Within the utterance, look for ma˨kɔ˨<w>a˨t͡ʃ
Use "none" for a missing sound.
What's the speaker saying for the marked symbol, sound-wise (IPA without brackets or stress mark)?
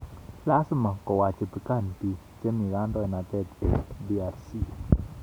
w